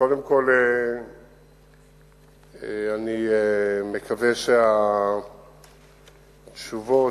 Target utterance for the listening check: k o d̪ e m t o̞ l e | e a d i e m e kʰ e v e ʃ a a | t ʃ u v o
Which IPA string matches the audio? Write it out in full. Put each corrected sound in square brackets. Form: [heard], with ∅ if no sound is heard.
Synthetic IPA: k o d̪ e m [k] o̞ l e | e a [n] i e m e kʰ [a] v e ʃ [e] a | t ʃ u v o